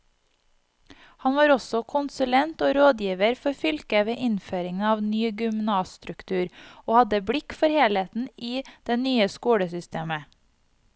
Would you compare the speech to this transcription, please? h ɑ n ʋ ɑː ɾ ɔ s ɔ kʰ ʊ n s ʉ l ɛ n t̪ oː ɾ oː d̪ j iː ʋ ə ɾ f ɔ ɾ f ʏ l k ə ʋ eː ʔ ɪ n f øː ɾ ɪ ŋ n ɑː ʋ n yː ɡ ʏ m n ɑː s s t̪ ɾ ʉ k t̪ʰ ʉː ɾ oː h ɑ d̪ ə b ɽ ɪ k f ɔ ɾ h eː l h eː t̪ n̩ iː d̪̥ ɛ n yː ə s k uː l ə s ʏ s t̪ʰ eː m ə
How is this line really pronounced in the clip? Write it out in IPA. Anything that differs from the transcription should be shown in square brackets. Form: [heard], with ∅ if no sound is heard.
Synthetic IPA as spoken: h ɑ n ʋ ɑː ɾ ɔ s ɔ kʰ ʊ n s ʉ l ɛ n t̪ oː ɾ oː d̪ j iː ʋ ə ɾ f ɔ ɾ f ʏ l k ə ʋ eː ʔ ɪ n f øː ɾ ɪ ŋ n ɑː ʋ n yː ɡ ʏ m n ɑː s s t̪ ɾ ʉ k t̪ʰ ʉː ɾ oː h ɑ d̪ ə b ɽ ɪ k f ɔ ɾ h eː l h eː t̪ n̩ iː d̪̥ ɛ n yː ə s k uː [ɽ] ə s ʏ s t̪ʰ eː m ə